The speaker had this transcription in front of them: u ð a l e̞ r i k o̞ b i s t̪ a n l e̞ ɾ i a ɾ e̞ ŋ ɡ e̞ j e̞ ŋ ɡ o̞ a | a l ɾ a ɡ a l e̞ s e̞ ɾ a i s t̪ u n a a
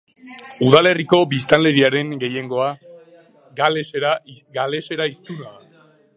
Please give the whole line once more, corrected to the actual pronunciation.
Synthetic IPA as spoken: u ð a l e̞ r i k o̞ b i s t̪ a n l e̞ ɾ i a ɾ e̞ ŋ ɡ e̞ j e̞ ŋ ɡ o̞ a | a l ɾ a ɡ a l e̞ s e̞ ɾ a i s t̪ u n a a